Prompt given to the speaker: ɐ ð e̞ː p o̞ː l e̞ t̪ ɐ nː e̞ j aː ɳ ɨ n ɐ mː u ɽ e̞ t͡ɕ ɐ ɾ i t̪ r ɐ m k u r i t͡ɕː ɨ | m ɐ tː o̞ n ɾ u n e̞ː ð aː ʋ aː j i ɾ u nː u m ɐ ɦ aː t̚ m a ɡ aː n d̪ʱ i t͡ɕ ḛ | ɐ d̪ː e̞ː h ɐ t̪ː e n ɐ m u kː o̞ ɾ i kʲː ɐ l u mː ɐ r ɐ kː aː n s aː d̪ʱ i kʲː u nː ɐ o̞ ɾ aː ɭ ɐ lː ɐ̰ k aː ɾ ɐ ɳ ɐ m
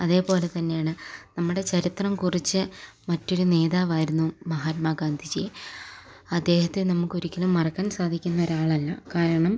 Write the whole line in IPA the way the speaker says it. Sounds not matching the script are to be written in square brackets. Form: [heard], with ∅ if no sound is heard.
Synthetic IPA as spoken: ɐ ð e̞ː p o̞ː l e̞ t̪ ɐ nː e̞ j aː ɳ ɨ n ɐ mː u ɽ e̞ t͡ɕ ɐ ɾ i t̪ r ɐ m k u r i t͡ɕː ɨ | m ɐ tː o̞ [∅] ɾ u n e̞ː ð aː ʋ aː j i ɾ u nː u m ɐ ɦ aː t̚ m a ɡ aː n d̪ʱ i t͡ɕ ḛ | ɐ d̪ː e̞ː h ɐ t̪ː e n ɐ m u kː o̞ ɾ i kʲː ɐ l u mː ɐ r ɐ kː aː n s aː d̪ʱ i kʲː u nː ɐ o̞ ɾ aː ɭ ɐ lː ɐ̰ k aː ɾ ɐ ɳ ɐ m